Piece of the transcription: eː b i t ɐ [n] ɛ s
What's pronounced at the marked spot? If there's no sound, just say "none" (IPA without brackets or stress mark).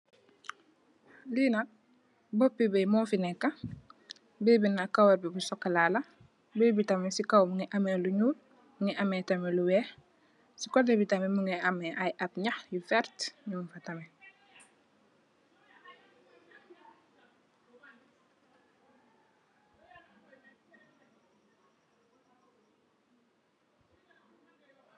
m